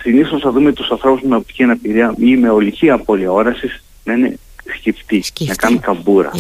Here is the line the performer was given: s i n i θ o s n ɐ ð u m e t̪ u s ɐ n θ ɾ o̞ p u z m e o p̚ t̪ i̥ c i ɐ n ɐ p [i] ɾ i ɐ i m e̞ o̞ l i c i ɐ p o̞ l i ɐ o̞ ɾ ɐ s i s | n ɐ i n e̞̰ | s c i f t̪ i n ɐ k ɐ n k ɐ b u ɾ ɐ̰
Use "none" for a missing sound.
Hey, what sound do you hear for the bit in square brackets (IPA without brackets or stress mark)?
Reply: i